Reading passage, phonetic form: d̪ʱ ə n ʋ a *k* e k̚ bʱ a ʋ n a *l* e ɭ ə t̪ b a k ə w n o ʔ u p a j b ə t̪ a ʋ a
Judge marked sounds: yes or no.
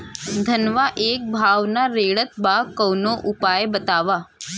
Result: no, no

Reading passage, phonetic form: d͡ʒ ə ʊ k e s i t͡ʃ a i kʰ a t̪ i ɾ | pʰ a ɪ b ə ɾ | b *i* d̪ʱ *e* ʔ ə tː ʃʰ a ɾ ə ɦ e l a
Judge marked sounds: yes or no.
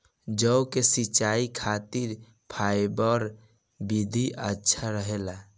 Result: yes, no

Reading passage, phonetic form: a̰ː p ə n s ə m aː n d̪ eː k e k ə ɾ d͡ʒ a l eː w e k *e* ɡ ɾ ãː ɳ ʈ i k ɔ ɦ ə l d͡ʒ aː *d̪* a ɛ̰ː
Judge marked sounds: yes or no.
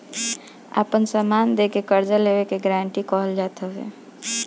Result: yes, no

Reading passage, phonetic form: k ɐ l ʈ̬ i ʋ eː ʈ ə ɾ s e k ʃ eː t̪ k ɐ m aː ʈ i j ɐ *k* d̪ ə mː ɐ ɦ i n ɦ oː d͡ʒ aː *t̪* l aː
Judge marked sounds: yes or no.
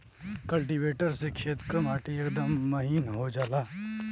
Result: yes, no

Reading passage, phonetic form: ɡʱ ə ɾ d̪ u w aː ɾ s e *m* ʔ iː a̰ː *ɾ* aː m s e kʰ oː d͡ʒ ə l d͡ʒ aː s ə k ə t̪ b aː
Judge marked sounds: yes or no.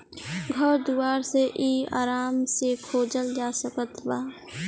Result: no, yes

